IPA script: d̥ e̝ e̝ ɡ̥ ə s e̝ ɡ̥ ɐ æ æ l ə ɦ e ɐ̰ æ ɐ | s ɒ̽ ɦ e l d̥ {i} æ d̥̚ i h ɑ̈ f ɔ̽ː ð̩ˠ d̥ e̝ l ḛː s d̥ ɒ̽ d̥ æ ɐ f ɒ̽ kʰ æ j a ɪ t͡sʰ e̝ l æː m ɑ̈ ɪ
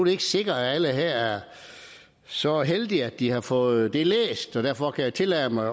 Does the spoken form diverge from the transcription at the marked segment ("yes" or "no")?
no